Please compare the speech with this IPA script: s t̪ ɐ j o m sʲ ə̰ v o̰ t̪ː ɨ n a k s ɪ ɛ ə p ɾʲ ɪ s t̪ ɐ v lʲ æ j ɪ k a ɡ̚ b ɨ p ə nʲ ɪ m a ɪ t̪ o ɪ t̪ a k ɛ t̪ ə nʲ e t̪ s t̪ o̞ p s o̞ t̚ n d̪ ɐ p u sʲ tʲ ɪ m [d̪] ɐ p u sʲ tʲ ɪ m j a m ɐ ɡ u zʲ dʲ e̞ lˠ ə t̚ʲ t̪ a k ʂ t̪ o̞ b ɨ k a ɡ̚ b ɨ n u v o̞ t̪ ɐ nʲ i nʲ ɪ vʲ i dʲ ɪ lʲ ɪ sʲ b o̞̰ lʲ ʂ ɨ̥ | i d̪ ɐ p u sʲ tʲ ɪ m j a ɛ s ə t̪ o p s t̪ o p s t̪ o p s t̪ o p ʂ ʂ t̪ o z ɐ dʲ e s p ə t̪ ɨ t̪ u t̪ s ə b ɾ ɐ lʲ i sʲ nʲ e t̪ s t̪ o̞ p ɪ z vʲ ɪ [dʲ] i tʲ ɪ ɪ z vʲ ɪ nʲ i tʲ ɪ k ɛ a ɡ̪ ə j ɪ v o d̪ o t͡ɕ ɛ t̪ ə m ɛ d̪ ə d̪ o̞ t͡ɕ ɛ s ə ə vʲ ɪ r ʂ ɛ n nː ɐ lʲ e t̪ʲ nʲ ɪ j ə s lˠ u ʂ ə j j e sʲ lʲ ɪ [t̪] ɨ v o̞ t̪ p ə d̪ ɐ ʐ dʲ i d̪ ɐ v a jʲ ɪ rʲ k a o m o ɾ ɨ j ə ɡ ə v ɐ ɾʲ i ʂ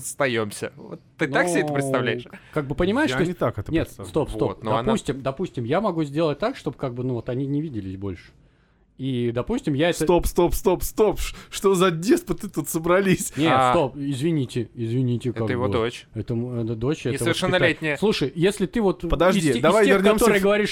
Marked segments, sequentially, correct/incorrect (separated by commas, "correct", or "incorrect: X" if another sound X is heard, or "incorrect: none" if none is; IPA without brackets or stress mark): correct, incorrect: nʲ, correct